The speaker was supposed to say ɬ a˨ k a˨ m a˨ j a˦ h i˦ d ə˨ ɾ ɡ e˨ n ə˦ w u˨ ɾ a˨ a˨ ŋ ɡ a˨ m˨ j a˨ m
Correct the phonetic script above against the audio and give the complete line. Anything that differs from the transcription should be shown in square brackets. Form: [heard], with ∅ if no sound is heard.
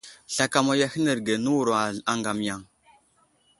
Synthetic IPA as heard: ɬ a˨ k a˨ m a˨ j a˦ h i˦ [n] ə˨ ɾ ɡ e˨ n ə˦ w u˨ ɾ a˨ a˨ ŋ ɡ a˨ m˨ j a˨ [ŋ]